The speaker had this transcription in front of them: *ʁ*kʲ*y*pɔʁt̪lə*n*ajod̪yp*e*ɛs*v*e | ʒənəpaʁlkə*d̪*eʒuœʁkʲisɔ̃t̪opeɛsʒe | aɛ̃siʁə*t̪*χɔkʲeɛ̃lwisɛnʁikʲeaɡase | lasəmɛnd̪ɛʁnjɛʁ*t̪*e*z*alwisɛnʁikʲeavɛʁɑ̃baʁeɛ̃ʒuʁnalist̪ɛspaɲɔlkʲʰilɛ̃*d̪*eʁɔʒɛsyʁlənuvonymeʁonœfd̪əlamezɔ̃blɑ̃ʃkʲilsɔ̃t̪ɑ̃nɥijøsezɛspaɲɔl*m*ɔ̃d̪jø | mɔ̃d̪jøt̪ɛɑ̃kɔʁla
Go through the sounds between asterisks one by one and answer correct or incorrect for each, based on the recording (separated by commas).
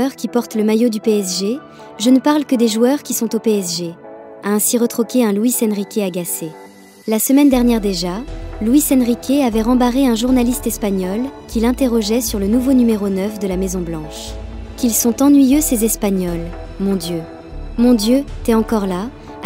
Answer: correct, incorrect, incorrect, correct, incorrect, correct, correct, incorrect, incorrect, incorrect, correct